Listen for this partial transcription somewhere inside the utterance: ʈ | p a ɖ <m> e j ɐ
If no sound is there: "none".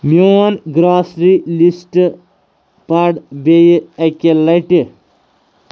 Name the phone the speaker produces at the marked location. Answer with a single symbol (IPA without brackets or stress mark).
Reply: b